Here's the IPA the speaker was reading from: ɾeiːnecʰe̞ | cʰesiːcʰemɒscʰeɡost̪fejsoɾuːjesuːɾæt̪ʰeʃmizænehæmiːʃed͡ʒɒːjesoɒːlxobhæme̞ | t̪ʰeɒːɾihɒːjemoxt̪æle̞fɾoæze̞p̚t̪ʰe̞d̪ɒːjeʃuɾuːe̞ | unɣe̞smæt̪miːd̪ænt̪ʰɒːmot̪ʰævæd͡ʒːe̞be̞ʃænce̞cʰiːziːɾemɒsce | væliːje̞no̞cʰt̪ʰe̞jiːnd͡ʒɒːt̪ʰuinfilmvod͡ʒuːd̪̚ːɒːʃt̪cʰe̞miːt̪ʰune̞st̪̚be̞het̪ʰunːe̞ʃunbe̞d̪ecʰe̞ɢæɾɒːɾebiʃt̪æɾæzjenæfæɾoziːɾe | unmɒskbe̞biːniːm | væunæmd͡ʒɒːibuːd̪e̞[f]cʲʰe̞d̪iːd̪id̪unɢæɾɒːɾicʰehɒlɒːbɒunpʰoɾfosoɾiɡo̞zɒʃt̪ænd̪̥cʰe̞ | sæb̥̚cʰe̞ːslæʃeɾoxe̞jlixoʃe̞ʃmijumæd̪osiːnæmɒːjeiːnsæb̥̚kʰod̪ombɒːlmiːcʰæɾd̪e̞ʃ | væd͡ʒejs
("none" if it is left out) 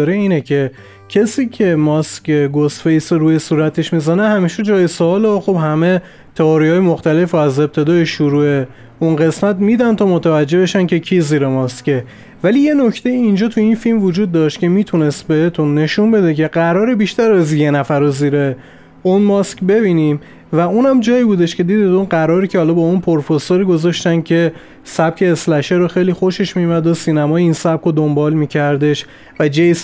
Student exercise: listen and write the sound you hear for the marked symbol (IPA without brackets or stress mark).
ʃ